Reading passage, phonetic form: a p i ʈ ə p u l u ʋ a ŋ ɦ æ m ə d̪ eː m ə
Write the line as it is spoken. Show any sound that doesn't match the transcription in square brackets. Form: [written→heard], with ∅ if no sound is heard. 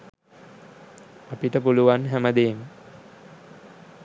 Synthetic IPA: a p i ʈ ə p u l u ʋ a [ŋ→n] ɦ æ m ə d̪ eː m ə